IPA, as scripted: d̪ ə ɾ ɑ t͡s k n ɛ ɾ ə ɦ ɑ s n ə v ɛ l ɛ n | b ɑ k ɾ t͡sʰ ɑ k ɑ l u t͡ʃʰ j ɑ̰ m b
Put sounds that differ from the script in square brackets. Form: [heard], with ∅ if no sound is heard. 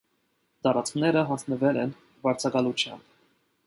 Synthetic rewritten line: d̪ [ɑ] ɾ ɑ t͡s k n ɛ ɾ ə ɦ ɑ s n ə v ɛ l ɛ n | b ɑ [∅] ɾ t͡sʰ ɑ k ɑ l u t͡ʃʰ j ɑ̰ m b